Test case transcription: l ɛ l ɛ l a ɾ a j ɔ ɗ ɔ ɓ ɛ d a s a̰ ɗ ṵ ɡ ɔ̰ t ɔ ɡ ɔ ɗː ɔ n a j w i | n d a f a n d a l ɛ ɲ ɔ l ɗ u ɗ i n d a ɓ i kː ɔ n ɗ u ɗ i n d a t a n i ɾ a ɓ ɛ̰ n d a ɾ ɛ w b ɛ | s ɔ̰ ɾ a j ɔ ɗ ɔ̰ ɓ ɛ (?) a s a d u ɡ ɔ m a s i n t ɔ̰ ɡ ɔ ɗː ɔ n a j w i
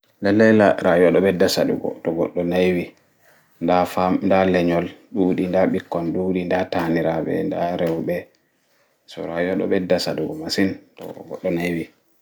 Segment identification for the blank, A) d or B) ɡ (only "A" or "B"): A